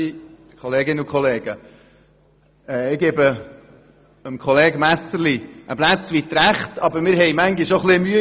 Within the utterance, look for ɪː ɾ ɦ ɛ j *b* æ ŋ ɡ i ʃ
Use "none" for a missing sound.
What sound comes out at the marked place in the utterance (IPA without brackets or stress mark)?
m